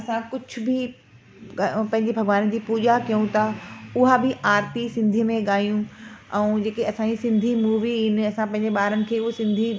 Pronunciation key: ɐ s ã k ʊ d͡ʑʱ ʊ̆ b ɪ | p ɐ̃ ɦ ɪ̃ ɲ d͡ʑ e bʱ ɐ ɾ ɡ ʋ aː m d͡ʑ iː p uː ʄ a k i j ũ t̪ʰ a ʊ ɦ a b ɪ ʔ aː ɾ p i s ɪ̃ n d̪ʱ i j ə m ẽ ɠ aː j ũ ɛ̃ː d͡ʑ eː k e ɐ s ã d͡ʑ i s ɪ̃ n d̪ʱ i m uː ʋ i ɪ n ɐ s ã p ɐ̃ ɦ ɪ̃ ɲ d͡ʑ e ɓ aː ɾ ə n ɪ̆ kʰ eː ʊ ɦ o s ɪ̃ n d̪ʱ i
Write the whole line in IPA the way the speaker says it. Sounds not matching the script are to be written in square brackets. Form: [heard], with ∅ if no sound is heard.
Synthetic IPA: ɐ s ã k ʊ d͡ʑʱ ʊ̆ b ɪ | p ɐ̃ ɦ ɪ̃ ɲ d͡ʑ e bʱ ɐ [∅] ɡ ʋ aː [n] d͡ʑ iː p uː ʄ a k i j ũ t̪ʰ a ʊ ɦ a b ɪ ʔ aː ɾ p i s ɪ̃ n d̪ʱ i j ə m ẽ ɠ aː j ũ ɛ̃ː d͡ʑ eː k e ɐ s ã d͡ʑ i s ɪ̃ n d̪ʱ i m uː ʋ i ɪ n ɐ s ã p ɐ̃ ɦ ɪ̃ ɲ d͡ʑ e ɓ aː ɾ ə n ɪ̆ kʰ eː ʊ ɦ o s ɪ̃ n d̪ʱ i

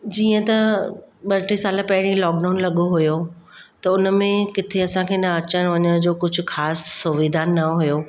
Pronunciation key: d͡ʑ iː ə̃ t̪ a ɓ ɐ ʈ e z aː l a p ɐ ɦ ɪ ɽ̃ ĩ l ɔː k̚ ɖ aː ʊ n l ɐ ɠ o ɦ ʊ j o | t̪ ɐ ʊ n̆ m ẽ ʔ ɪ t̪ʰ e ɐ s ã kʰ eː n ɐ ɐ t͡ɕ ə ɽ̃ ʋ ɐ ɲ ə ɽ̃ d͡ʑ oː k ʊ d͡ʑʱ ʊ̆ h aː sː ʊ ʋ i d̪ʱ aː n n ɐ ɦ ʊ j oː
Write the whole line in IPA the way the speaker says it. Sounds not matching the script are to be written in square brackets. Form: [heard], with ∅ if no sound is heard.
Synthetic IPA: d͡ʑ iː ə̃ t̪ [ɐ] ɓ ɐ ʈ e [s] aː l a p ɐ ɦ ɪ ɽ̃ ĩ l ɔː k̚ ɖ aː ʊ n l ɐ ɠ o ɦ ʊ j o | t̪ ɐ ʊ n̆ m ẽ [k] ɪ t̪ʰ e ɐ s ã kʰ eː n ɐ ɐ t͡ɕ ə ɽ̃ ʋ ɐ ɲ ə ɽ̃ d͡ʑ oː k ʊ d͡ʑʱ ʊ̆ [x] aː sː ʊ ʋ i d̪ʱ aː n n ɐ ɦ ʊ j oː

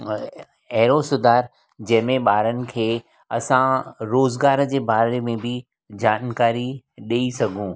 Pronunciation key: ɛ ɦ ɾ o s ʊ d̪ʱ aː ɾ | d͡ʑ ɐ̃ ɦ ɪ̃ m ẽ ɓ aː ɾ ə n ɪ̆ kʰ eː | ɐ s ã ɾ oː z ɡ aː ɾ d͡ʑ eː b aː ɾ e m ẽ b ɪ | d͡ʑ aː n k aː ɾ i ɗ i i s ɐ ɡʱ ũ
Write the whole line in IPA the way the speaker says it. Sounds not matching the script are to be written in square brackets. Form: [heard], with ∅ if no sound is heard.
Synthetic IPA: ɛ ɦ ɾ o s ʊ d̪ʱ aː ɾ | d͡ʑ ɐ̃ ɦ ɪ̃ m ẽ ɓ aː ɾ ə n ɪ̆ kʰ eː | ɐ s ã ɾ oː z ɡ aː ɾ d͡ʑ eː b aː ɾ e m ẽ b ɪ | d͡ʑ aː n k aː ɾ i ɗ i i s ɐ ɡʱ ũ

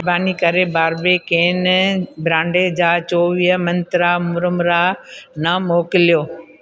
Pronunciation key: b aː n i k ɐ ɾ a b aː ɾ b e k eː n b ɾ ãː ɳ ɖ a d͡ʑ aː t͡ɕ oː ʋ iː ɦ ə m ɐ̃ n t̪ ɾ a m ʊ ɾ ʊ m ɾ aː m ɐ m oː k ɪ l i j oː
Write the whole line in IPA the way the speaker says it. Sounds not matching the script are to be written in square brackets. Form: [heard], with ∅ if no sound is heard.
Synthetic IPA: b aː n i k ɐ ɾ [e] b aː ɾ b e k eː n b ɾ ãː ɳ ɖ [e] d͡ʑ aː t͡ɕ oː ʋ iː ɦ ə m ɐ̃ n t̪ ɾ a m ʊ ɾ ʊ m ɾ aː [n] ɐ m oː k ɪ l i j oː

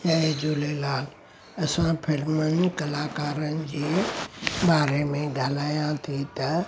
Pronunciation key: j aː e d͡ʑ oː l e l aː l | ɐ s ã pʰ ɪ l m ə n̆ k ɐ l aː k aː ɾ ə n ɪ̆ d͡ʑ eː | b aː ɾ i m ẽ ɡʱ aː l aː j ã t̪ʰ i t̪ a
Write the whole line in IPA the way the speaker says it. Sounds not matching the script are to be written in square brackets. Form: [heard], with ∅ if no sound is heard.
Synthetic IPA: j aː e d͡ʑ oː l e l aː l | ɐ s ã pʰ ɪ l m ə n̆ k ɐ l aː k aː ɾ ə n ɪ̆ d͡ʑ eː | b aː ɾ [e] m ẽ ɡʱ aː l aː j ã t̪ʰ i t̪ [ɐ]

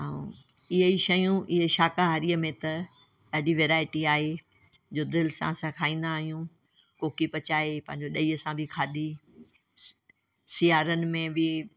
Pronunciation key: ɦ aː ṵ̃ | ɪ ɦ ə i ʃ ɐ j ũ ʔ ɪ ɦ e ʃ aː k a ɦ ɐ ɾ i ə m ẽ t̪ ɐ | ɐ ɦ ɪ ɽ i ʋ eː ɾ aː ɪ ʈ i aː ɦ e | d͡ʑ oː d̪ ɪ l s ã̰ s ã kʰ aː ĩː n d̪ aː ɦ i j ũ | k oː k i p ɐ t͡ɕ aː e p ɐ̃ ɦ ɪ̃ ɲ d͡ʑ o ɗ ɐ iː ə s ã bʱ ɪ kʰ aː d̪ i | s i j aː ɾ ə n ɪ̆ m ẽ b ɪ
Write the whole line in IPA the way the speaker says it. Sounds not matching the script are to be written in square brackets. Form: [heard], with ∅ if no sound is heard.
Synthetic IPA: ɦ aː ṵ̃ | ɪ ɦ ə i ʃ ɐ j ũ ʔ ɪ ɦ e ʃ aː k a ɦ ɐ ɾ i ə m ẽ t̪ ɐ | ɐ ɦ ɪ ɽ i ʋ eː ɾ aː ɪ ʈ i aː ɦ e | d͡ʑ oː d̪ ɪ l s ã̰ s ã kʰ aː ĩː n d̪ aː ɦ i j ũ | k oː k i p ɐ t͡ɕ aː e p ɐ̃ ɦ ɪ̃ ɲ d͡ʑ o ɗ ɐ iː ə s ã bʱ ɪ kʰ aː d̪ i | s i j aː ɾ ə n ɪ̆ m ẽ b ɪ

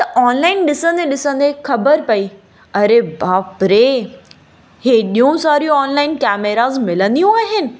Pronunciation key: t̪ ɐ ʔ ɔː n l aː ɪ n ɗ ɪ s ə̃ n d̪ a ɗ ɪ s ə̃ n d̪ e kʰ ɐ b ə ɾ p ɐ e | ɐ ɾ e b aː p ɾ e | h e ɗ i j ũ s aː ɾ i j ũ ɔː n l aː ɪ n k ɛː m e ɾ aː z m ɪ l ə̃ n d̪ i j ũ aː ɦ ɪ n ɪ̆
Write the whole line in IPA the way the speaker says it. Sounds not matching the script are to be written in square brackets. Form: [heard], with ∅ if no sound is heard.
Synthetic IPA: t̪ ɐ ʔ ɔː n l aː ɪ n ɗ ɪ s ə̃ n d̪ [e] ɗ ɪ s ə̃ n d̪ e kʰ ɐ b ə ɾ p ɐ [i] | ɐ ɾ e b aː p ɾ e | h e ɗ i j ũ s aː ɾ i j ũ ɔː n l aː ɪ n k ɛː m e ɾ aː z m ɪ l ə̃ n d̪ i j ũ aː ɦ ɪ n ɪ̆

